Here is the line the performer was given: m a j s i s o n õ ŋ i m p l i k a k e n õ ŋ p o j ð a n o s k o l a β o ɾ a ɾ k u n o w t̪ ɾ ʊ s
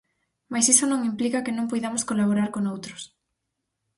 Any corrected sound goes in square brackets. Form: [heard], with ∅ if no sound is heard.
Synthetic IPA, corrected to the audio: m a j s i s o n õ ŋ i m p l i k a k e n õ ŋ p o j ð a [m] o s k o l a β o ɾ a ɾ k [o] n o w t̪ ɾ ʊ s